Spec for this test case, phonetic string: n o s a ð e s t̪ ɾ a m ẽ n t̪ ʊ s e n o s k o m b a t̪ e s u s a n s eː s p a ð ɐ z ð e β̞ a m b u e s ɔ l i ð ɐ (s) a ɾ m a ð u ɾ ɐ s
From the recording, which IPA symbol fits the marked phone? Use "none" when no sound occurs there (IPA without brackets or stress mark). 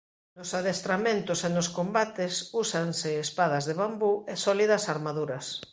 s